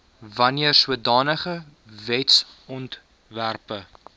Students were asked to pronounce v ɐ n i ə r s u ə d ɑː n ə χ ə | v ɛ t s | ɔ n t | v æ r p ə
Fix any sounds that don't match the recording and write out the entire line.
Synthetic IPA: v ɐ n i ə r s u ə d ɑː n ə χ ə | v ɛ t s | ɔ n t | v æ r p ə